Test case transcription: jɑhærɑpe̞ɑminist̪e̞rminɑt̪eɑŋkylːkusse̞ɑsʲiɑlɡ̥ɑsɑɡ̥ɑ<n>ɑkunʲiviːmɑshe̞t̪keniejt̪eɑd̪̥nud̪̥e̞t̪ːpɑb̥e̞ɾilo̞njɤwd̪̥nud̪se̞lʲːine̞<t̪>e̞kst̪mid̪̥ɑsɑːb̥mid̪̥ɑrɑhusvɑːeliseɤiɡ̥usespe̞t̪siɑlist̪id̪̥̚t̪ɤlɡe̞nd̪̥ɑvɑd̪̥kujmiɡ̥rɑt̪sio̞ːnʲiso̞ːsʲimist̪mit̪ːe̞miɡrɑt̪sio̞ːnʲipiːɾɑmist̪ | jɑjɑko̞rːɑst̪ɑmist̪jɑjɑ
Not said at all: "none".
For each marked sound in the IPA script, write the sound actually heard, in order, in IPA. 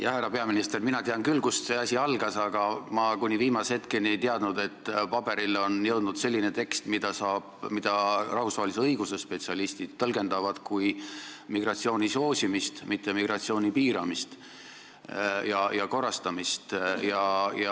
m, t̪

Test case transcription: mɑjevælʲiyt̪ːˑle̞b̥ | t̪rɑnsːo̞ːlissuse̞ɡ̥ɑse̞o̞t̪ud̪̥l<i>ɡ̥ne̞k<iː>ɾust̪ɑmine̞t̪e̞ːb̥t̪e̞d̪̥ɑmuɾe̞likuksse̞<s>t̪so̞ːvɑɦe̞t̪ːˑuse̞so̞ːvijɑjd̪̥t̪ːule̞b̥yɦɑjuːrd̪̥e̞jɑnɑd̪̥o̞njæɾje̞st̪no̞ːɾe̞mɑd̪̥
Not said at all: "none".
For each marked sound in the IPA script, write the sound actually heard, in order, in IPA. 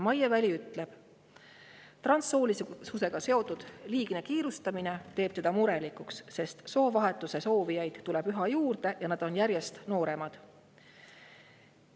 iː, iː, s

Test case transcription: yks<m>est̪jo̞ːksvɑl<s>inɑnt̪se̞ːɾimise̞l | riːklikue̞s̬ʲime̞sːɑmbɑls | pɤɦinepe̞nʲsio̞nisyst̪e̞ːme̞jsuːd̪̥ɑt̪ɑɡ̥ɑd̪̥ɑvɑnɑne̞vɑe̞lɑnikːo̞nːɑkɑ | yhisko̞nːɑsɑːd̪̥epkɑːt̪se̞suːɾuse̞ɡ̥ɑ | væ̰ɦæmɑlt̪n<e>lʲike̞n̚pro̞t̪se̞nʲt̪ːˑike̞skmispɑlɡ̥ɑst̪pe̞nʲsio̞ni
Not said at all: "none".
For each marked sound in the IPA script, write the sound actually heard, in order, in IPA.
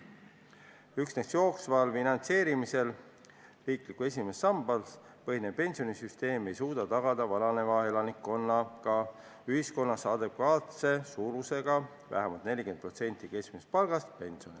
n, f, e

